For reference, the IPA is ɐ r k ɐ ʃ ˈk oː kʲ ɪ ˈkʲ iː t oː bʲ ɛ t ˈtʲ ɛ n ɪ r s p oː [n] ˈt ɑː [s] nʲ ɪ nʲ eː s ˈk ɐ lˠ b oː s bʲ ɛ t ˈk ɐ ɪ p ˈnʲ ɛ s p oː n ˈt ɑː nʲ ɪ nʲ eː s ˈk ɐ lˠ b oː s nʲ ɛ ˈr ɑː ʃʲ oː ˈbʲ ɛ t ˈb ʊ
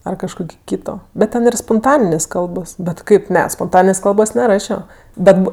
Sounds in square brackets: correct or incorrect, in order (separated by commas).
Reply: correct, incorrect